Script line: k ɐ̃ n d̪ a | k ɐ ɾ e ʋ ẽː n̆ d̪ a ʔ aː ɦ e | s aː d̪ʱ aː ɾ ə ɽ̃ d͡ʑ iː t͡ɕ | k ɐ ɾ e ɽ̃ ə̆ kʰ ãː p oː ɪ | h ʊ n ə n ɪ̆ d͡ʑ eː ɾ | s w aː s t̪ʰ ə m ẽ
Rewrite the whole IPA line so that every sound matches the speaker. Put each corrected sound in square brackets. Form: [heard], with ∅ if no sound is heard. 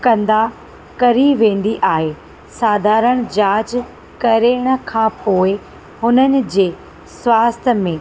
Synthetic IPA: k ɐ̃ n d̪ a | k ɐ ɾ [i] ʋ ẽː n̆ d̪ [i] ʔ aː ɦ e | s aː d̪ʱ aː ɾ ə ɽ̃ d͡ʑ [aː] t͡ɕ | k ɐ ɾ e ɽ̃ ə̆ kʰ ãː p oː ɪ | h ʊ n ə n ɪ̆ d͡ʑ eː [∅] | s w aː s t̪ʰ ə m ẽ